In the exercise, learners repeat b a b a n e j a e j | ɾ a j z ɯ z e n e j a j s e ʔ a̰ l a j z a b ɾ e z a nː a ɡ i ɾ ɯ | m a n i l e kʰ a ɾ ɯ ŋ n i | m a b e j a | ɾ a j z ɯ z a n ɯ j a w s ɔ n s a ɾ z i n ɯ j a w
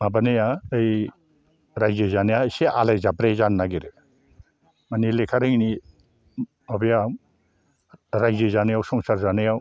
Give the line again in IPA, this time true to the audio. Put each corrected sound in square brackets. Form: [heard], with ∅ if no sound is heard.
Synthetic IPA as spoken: [m] a b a n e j a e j | ɾ a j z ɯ z [a] n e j a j s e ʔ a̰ l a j z a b ɾ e z a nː a ɡ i ɾ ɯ | m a n i l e kʰ a ɾ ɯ ŋ n i | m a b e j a | ɾ a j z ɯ z a n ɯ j a w s ɔ [ŋ] s a ɾ z [a] n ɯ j a w

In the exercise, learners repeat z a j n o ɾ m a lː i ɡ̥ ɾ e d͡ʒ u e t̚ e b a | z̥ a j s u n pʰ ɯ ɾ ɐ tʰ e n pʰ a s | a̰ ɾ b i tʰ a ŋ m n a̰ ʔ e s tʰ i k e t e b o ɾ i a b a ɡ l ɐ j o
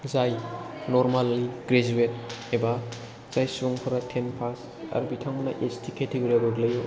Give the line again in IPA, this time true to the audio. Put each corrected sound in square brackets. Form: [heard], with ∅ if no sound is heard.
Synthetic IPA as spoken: z a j n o ɾ m a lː i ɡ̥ ɾ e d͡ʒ u e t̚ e b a | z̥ a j s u [ŋ] pʰ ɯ ɾ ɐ tʰ e n pʰ a s | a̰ ɾ b i tʰ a ŋ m n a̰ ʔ e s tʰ i k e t e [ɡ] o ɾ i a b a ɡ l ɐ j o

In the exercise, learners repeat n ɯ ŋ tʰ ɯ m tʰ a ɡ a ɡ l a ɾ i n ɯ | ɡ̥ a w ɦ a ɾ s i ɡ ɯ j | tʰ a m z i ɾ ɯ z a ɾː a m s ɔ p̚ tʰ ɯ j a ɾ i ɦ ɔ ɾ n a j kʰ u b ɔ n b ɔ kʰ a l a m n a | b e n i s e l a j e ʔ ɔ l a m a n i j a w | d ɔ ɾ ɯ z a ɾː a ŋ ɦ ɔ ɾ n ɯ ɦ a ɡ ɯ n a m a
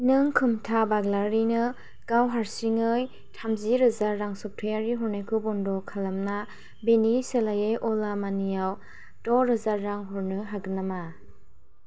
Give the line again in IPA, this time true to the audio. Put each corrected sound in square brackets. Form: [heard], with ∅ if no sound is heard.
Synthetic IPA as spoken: n ɯ ŋ [kʰ] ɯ m tʰ a [b] a ɡ l a ɾ i n ɯ | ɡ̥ a w ɦ a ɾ s i [ŋ] ɯ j | tʰ a m z i ɾ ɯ z a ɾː a [ŋ] s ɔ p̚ tʰ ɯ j a ɾ i ɦ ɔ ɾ n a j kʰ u b ɔ n [d] ɔ kʰ a l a m n a | b e n i s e l a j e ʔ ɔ l a m a n i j a w | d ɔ ɾ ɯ z a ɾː a ŋ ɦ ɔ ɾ n ɯ ɦ a ɡ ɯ n a m a

